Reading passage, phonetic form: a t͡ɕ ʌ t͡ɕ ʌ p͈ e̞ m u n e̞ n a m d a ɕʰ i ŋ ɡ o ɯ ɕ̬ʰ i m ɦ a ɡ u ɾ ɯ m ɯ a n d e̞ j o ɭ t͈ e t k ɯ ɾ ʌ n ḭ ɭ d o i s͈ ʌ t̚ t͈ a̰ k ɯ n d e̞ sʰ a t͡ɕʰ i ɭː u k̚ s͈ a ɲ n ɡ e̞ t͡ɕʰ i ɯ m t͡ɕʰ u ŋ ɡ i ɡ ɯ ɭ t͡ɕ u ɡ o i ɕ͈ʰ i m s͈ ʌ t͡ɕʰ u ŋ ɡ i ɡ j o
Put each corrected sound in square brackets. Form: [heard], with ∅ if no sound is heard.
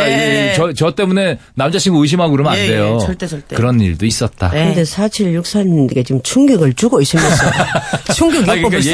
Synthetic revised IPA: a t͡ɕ ʌ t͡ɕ ʌ [t͈] e̞ m u n e̞ n a m [d͡ʑ] a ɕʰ i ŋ ɡ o ɯ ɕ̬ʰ i m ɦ a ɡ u ɾ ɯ m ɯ a n d e̞ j o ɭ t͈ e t k ɯ ɾ ʌ n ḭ ɭ d o i s͈ ʌ t̚ t͈ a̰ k ɯ n d e̞ sʰ a t͡ɕʰ i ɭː u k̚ s͈ a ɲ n ɡ e̞ [t͡ɕ] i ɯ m t͡ɕʰ u ŋ ɡ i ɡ ɯ ɭ t͡ɕ u ɡ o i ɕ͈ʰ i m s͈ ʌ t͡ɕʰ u ŋ ɡ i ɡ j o